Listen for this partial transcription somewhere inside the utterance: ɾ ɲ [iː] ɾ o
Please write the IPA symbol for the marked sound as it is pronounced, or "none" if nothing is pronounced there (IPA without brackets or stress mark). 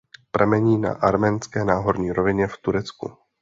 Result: iː